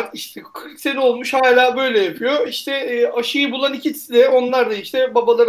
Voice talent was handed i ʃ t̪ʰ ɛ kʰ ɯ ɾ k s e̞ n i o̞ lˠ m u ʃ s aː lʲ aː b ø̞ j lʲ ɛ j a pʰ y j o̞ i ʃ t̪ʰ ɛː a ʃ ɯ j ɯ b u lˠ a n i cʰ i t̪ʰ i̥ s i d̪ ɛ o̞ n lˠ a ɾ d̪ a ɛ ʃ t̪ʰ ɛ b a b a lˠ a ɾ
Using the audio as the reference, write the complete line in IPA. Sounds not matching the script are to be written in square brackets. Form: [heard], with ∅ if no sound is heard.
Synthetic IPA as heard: i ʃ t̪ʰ ɛ kʰ ɯ ɾ k s e̞ n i o̞ lˠ m u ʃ [h] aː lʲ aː b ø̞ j lʲ ɛ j a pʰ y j o̞ i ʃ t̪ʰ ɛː a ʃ ɯ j ɯ b u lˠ a n i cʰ i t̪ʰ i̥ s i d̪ ɛ o̞ n lˠ a ɾ d̪ a [i] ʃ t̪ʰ ɛ b a b a lˠ a ɾ